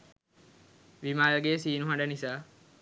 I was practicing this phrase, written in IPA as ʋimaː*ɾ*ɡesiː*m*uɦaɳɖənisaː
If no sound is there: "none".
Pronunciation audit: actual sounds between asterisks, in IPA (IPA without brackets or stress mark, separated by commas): l, n